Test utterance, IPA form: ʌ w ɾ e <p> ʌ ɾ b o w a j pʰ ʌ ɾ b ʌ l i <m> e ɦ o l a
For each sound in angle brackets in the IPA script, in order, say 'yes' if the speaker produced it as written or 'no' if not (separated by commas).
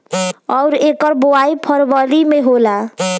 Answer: no, yes